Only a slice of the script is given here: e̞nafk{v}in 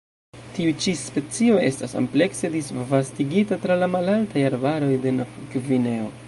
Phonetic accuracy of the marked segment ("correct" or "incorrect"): correct